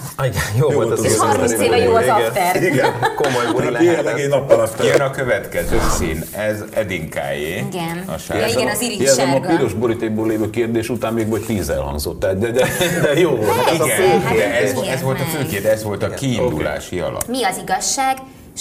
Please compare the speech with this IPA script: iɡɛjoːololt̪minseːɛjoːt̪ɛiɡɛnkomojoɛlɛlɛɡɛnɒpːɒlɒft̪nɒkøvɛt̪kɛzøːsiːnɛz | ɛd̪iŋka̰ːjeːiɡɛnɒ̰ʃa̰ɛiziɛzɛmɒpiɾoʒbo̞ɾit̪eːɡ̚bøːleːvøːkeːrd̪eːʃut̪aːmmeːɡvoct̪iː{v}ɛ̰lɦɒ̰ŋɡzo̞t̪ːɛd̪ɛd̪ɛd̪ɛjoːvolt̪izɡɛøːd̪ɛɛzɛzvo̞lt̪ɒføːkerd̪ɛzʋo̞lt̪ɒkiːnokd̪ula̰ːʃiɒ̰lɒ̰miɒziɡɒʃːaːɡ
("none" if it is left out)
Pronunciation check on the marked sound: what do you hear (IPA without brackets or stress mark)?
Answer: z